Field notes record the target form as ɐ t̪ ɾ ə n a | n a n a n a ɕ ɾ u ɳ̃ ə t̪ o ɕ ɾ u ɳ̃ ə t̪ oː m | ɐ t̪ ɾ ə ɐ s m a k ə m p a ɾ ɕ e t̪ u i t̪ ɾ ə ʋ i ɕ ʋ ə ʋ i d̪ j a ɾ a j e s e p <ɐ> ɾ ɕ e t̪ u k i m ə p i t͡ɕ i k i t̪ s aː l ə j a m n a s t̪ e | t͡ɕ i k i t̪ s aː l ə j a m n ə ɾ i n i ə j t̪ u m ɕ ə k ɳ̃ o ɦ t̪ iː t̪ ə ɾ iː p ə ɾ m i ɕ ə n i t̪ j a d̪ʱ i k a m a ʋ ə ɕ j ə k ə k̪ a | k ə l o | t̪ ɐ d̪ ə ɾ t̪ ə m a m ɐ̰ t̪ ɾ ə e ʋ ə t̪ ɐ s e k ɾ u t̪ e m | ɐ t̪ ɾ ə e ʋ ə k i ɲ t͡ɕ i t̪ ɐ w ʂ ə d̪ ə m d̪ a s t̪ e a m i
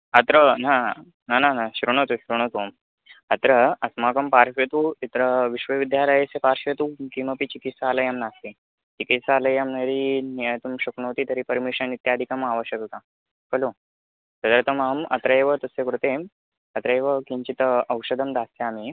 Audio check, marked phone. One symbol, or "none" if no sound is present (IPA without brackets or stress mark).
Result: a